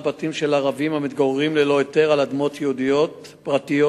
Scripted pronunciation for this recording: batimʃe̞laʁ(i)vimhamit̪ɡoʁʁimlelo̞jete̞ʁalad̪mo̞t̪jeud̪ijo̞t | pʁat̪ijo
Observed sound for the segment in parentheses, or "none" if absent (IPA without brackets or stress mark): a